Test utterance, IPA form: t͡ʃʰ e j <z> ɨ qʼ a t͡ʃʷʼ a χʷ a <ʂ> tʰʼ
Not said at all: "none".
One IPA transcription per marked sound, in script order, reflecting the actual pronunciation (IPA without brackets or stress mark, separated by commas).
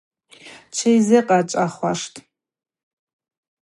z, ʂ